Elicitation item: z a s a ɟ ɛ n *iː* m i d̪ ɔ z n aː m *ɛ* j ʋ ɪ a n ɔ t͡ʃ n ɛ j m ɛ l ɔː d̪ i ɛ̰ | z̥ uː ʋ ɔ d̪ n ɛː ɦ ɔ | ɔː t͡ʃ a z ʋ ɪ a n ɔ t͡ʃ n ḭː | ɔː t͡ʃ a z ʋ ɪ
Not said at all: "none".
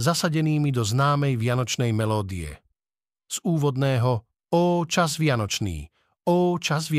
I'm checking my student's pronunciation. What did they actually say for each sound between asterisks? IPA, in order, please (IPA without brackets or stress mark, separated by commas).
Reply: iː, ɛ